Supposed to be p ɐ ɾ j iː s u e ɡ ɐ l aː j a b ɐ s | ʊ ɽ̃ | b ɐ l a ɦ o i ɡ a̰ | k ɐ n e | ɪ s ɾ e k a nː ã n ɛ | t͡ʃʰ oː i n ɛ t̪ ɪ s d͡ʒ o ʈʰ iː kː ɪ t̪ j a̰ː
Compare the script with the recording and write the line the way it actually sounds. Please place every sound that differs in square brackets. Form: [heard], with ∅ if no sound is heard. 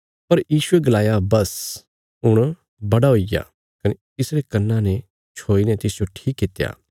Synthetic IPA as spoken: p ɐ ɾ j iː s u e ɡ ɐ l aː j a b ɐ s | ʊ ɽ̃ | b ɐ [ɽ] a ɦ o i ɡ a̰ | k ɐ n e | ɪ s ɾ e k [ɐ] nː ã n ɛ | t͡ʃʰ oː i n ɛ t̪ ɪ s d͡ʒ o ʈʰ iː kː ɪ t̪ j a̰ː